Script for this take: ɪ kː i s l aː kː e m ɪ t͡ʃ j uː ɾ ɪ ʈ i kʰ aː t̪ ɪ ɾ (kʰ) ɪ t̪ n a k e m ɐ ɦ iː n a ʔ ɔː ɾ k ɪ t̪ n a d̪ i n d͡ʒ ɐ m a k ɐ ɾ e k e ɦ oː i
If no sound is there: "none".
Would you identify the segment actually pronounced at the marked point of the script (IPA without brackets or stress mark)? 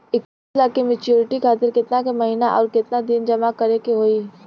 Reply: k